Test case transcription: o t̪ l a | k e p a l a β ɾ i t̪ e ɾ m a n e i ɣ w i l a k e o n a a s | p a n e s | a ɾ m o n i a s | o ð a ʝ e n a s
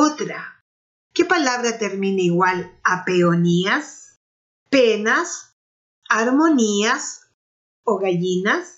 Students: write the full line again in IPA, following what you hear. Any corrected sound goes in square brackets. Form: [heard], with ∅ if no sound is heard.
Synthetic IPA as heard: o t̪ [ɾ] a | k e p a l a β ɾ [a] t̪ e ɾ m [i] n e i ɣ w [a] l a [p] e o n [i] a s | p [e] n [a] s | a ɾ m o n i a s | o [ɣ] a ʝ [i] n a s